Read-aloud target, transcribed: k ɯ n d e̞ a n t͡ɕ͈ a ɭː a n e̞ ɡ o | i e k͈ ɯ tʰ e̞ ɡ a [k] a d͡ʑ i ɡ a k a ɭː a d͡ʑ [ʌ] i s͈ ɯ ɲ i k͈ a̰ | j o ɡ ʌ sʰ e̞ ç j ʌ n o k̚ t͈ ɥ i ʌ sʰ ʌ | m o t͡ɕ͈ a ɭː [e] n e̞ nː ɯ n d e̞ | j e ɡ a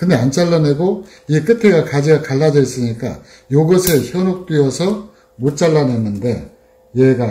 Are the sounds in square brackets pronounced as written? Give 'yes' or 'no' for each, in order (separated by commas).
yes, yes, no